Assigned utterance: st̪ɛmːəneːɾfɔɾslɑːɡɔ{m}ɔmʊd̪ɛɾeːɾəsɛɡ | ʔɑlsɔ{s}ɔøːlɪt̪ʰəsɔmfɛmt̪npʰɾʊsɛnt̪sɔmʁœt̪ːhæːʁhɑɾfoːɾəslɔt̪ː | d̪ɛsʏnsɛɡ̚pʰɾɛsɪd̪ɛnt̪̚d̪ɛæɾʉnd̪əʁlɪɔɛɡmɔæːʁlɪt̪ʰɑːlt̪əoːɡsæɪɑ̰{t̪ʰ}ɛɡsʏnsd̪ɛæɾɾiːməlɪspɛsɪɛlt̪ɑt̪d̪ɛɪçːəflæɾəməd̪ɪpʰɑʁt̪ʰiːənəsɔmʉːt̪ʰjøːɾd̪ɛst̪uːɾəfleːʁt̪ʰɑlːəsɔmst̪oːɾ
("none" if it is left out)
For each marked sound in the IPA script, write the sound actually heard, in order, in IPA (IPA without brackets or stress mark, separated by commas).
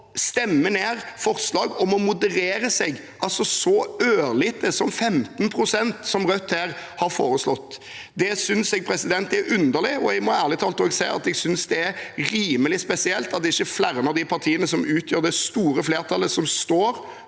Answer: m, s, t̪